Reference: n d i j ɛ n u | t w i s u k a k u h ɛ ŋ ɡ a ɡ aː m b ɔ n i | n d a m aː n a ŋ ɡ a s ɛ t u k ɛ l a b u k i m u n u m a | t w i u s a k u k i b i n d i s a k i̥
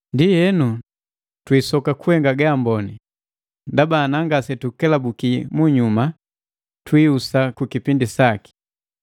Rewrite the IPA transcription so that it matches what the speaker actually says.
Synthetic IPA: n d i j ɛ n u | t w i s ɔ k a k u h ɛ ŋ ɡ a ɡ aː m b ɔ n i | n d a b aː n a ŋ ɡ a s ɛ t u k ɛ l a b u k i m u ɲ u m a | t w i u s a k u k i p i n d i s a k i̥